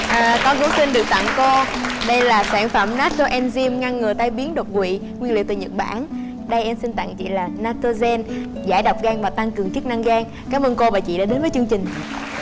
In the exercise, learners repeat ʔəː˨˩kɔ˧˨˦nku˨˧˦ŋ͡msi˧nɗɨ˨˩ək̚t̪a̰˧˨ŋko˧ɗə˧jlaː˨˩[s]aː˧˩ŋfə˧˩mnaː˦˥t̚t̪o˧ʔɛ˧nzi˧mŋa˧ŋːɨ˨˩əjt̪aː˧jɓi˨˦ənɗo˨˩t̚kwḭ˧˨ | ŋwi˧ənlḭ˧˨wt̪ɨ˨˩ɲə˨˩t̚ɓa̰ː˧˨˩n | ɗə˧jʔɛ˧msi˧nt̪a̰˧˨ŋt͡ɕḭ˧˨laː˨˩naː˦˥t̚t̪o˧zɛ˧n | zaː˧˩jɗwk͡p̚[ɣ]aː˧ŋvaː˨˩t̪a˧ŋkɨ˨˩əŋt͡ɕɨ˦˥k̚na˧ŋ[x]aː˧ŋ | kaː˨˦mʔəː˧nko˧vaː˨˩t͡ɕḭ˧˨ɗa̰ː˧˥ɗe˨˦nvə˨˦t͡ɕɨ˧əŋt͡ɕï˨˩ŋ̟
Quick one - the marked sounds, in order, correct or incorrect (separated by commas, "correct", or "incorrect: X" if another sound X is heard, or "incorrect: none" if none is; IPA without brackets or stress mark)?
correct, correct, incorrect: ɣ